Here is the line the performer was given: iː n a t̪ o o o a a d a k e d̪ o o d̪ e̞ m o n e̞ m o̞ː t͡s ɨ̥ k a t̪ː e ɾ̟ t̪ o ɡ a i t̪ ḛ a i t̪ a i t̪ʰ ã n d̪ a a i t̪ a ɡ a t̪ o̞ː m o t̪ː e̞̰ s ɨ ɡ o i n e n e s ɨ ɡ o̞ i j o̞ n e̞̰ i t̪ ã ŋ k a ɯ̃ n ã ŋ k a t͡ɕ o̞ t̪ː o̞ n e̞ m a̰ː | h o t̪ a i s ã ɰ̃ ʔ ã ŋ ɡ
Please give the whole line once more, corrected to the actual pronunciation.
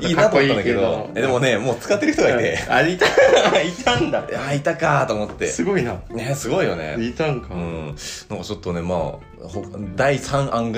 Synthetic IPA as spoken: iː n a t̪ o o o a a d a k e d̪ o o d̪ e̞ m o n e̞ m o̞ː t͡s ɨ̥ k a t̪ː e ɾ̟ t̪ o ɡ a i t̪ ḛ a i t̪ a i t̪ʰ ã n d̪ a a i t̪ a k a t̪ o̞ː m o t̪ː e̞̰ s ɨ ɡ o i n a n e s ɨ ɡ o̞ i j o̞ n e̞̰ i t̪ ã ŋ k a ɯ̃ n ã ŋ k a t͡ɕ o̞ t̪ː o̞ n e̞ m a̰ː | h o d̪ a i s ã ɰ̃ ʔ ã ŋ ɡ